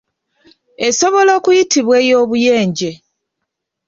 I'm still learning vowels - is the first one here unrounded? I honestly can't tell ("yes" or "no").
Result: yes